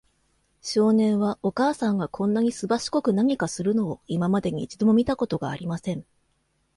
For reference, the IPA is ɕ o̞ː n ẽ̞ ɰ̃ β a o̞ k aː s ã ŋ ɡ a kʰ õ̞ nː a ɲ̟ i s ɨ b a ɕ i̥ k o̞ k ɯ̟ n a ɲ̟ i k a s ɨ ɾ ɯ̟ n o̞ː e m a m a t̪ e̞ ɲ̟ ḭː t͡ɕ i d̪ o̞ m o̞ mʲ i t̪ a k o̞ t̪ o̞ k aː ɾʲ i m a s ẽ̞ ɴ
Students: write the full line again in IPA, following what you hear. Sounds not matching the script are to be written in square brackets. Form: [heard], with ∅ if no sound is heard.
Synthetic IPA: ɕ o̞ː n ẽ̞ ɰ̃ β a o̞ k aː s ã ŋ ɡ a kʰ õ̞ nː a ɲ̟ i s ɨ b a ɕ i̥ k o̞ k ɯ̟ n a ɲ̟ i k a s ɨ ɾ ɯ̟ n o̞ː [i] m a m a [d̪] e̞ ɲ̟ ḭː t͡ɕ i d̪ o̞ m o̞ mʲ i t̪ a k o̞ t̪ o̞ [ɡ] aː ɾʲ i m a s ẽ̞ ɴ